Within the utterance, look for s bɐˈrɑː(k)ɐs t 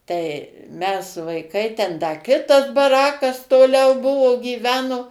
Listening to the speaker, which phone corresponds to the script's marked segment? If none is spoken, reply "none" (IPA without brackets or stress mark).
k